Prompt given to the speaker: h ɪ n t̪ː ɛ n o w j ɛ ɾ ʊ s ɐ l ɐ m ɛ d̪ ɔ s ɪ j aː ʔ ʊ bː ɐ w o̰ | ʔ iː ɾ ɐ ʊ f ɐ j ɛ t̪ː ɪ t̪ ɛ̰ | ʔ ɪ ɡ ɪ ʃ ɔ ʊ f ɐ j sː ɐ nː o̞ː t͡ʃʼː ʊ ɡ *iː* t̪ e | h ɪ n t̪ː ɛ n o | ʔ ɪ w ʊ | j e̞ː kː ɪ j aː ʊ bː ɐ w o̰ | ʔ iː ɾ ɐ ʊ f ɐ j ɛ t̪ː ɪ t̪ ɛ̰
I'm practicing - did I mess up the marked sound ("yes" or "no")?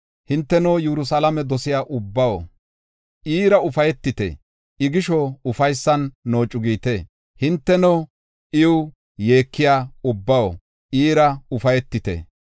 no